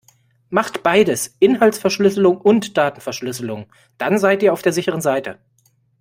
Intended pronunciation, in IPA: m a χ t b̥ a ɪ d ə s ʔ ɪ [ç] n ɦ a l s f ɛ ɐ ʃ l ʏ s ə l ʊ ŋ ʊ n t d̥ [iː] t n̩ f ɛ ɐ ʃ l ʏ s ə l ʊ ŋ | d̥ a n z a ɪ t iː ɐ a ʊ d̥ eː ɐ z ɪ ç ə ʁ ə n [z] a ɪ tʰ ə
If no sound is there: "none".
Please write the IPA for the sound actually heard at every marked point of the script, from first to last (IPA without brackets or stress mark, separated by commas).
none, aː, z